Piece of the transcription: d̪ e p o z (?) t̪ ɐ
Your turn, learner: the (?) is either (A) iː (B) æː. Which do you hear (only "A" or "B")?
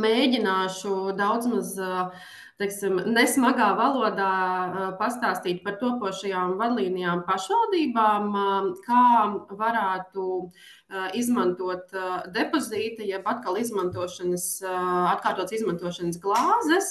A